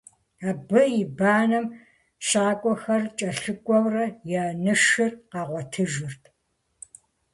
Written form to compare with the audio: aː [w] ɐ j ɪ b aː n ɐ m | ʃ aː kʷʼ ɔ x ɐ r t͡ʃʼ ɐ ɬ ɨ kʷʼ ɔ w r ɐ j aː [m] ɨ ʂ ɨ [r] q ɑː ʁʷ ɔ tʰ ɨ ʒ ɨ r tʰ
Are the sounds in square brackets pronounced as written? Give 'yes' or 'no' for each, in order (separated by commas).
no, no, yes